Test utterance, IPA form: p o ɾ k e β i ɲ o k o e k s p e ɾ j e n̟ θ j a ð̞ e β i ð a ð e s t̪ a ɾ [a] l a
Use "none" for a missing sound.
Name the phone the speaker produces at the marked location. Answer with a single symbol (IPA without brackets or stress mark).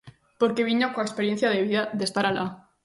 a